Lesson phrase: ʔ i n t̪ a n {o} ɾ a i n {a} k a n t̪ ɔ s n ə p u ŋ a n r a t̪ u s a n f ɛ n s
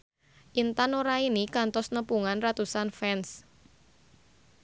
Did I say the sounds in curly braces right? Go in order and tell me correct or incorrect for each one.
correct, incorrect: i

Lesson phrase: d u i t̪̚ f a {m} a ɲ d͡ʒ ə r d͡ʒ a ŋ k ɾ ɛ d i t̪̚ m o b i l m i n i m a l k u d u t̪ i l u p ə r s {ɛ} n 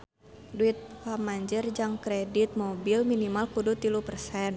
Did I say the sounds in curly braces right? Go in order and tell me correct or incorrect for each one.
correct, correct

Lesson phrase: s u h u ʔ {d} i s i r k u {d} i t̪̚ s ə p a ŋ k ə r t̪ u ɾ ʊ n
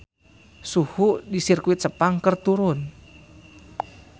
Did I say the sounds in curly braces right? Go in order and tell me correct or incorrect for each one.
correct, incorrect: none

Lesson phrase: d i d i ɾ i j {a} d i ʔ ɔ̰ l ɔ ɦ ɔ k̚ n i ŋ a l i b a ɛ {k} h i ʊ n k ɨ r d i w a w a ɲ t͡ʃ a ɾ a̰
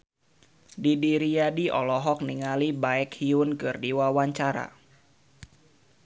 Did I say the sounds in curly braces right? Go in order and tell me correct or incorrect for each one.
correct, correct

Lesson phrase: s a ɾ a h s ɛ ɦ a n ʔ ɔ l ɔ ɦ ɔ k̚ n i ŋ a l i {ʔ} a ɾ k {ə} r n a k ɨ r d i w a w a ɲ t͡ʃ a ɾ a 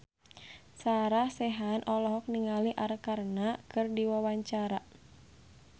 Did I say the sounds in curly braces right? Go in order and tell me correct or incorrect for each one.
correct, incorrect: a

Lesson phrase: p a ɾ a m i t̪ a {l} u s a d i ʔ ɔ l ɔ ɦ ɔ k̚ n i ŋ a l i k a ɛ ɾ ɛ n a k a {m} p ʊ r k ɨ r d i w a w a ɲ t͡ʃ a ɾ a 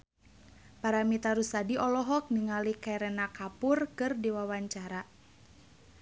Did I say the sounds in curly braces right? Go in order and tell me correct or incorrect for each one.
incorrect: ɾ, incorrect: none

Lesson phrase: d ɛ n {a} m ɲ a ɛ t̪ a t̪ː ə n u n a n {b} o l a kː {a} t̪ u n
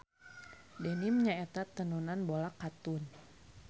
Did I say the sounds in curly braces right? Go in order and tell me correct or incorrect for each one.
incorrect: i, correct, correct

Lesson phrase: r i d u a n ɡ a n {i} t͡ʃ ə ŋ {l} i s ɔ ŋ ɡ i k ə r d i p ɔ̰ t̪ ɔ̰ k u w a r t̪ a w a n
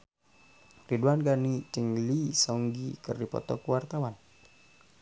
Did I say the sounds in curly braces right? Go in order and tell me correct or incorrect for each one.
correct, correct

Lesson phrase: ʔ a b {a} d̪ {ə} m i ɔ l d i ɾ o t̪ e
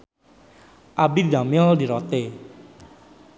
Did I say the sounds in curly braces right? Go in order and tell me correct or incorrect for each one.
incorrect: i, incorrect: a

